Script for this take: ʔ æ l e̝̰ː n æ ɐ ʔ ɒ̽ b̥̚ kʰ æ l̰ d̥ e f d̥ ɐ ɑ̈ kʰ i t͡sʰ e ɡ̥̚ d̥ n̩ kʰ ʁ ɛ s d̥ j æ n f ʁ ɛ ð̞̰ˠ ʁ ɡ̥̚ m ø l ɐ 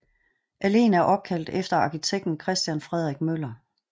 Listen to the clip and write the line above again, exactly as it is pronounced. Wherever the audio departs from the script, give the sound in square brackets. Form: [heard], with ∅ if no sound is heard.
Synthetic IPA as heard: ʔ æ l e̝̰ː n æ ɐ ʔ ɒ̽ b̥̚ kʰ æ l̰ d̥ e f d̥ ɐ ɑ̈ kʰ i t͡sʰ e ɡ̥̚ d̥ n̩ kʰ ʁ ɛ s d̥ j æ n f ʁ ɛ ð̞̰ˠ ʁ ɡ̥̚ m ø l ɐ